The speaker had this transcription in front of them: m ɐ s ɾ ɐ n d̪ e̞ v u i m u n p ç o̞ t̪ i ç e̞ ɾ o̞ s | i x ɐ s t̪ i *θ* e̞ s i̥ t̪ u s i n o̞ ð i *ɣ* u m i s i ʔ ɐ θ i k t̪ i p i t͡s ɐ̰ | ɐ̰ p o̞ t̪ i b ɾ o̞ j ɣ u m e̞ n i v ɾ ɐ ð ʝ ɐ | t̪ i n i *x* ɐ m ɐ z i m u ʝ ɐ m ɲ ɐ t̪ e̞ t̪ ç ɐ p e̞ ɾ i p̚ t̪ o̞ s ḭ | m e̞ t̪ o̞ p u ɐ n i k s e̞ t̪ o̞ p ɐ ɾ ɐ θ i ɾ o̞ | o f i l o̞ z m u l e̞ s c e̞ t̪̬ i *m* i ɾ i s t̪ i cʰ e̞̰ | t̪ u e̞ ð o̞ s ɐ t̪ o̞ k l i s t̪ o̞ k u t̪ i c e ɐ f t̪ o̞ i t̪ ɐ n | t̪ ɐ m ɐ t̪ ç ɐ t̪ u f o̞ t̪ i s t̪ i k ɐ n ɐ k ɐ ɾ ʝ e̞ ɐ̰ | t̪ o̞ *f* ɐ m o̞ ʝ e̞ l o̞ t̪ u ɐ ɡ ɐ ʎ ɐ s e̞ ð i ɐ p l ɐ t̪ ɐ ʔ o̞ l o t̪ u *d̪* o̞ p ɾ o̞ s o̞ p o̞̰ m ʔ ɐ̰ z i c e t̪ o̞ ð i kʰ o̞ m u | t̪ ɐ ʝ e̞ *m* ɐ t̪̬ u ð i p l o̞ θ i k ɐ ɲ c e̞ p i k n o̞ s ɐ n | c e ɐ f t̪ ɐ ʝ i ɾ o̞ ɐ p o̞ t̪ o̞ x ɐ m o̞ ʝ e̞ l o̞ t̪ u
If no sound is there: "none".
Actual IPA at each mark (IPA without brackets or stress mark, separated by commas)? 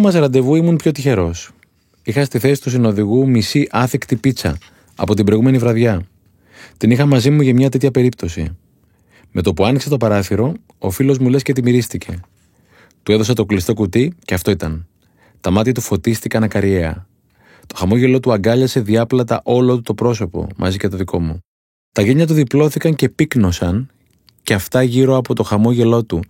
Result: θ, ɣ, x, m, x, t̪, ɲ